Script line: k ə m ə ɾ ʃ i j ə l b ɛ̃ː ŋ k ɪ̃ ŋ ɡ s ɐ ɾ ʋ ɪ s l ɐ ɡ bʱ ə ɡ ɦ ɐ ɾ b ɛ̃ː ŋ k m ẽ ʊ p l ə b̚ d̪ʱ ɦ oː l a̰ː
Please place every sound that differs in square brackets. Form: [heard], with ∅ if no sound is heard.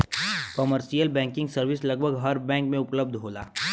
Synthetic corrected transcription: k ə m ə ɾ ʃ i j ə l b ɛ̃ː ŋ k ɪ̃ ŋ ɡ s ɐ ɾ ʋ ɪ s l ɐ ɡ bʱ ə ɡ ɦ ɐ ɾ b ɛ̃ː ŋ k m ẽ ʊ p l ə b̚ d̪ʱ ɦ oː l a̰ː